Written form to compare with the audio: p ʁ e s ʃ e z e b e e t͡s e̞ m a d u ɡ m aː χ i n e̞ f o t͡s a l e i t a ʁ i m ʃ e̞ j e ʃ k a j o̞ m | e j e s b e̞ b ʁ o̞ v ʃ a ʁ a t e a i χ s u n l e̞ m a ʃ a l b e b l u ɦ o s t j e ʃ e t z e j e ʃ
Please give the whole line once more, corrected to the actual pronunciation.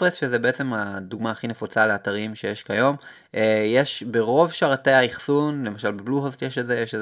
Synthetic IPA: p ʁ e s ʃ e z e b e e t͡s e̞ m a d u ɡ m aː χ i n e̞ f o t͡s a l e a t a ʁ i m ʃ e̞ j e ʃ k a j o̞ m | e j e ʃ b e̞ ʁ o̞ v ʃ a ʁ a t e a i χ s u n l e̞ m a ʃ a l b e b l u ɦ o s t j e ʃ e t z e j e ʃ